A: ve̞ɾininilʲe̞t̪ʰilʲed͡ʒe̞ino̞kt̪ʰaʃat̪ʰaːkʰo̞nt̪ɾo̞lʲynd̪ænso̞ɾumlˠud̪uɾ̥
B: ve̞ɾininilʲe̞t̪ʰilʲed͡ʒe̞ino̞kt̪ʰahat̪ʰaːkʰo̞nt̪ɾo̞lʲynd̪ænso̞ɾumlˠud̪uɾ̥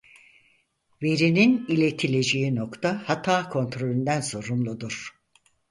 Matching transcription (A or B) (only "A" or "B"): B